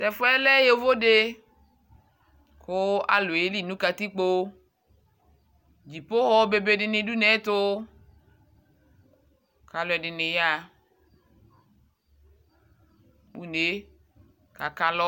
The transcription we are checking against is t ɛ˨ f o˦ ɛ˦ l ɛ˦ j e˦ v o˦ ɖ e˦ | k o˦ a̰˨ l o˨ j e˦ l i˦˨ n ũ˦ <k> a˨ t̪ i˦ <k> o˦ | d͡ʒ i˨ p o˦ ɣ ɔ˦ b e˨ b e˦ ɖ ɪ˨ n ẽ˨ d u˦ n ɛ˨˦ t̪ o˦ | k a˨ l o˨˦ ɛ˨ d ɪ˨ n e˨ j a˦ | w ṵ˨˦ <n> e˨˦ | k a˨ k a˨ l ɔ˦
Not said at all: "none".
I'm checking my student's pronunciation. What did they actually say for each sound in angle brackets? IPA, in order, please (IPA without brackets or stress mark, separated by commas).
k, k͡p, n